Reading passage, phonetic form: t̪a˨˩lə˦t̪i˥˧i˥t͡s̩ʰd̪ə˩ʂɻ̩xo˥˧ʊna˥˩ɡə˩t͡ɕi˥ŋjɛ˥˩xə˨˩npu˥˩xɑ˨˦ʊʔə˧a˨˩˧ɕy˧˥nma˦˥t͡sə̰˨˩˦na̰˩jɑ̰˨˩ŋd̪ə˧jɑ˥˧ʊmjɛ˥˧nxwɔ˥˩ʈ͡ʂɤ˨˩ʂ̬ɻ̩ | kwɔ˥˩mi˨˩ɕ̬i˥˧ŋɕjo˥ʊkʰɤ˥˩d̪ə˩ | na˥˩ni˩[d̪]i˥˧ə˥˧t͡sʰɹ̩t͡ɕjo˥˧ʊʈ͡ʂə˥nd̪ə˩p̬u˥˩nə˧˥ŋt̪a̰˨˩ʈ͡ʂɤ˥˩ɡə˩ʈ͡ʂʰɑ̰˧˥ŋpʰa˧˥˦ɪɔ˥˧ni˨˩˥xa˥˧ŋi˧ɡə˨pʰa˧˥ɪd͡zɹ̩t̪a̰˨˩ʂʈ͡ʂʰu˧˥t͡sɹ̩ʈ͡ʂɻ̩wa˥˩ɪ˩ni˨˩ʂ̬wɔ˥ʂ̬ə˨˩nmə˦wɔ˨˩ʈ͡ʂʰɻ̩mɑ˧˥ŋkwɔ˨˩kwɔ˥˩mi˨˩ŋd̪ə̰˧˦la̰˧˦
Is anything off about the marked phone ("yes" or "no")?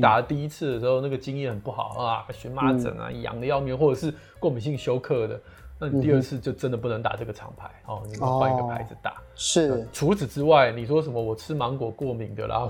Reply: yes